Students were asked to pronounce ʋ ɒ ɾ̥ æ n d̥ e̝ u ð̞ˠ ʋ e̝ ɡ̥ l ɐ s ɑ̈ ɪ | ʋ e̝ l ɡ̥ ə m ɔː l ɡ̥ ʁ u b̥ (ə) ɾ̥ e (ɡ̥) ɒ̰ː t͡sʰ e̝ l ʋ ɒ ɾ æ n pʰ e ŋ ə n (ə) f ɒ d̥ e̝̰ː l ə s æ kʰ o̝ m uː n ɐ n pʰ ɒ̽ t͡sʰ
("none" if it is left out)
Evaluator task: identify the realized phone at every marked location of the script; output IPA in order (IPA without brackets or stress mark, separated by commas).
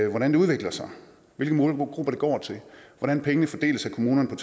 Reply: ɐ, ɡ̥, ə